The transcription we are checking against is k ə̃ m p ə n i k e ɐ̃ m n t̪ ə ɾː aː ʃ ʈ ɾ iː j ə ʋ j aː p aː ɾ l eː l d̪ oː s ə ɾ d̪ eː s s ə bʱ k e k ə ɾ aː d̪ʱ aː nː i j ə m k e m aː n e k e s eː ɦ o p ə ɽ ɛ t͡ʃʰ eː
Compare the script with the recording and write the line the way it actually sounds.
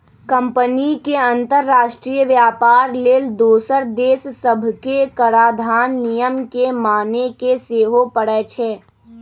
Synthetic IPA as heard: k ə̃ m p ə n i k e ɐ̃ n t̪ ə ɾː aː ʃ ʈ ɾ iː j ə ʋ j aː p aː ɾ l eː l d̪ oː s ə ɾ d̪ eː s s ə bʱ k e k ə ɾ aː d̪ʱ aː nː i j ə m k e m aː n e k e s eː ɦ o p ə ɽ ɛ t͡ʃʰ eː